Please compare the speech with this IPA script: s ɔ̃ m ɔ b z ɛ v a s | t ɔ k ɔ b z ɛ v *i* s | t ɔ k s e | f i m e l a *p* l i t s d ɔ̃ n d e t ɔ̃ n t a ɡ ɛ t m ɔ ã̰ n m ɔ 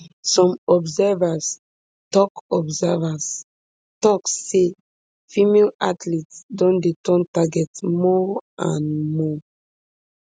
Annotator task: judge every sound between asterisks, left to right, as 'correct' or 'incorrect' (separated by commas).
incorrect, incorrect